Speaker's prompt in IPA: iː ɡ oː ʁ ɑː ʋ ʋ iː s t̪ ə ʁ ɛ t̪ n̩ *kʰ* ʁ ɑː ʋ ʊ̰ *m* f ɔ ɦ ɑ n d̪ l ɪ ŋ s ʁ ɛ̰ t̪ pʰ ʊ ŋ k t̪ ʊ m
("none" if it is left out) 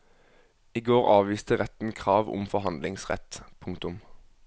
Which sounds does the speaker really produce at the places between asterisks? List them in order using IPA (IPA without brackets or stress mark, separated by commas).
kʰ, m